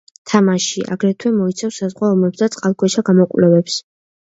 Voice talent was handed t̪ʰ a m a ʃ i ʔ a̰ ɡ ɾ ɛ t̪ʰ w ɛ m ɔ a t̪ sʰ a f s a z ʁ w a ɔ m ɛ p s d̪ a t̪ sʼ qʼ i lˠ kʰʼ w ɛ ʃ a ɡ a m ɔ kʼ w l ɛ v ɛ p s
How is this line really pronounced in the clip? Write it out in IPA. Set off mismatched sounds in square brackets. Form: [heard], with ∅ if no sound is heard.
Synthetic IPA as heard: t̪ʰ a m a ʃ i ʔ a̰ ɡ ɾ ɛ t̪ʰ w ɛ m ɔ [i] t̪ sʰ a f s a z ʁ w a ɔ m ɛ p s d̪ a t̪ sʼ qʼ [a] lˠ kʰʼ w ɛ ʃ a ɡ a m ɔ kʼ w l ɛ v ɛ p s